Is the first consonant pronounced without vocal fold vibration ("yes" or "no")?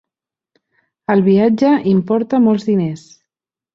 no